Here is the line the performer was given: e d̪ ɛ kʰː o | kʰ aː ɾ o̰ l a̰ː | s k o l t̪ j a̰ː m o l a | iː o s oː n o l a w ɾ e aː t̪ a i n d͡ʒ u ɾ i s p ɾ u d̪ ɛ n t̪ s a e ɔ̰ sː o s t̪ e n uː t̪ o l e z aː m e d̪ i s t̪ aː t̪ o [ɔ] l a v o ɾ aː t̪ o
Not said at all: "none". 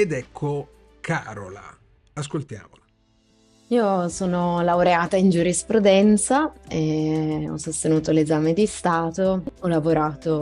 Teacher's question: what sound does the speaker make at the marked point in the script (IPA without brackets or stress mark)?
ɔ